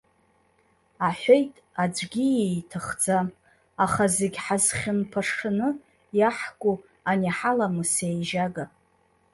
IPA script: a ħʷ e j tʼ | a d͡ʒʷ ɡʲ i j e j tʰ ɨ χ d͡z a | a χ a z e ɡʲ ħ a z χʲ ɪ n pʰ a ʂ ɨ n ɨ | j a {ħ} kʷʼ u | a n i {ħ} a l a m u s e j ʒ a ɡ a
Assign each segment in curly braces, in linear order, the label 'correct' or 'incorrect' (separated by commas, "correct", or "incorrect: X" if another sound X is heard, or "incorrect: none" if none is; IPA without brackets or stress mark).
correct, correct